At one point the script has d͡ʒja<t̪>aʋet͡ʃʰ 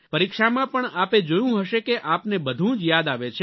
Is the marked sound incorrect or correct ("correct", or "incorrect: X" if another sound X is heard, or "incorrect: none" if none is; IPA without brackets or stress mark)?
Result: incorrect: d̪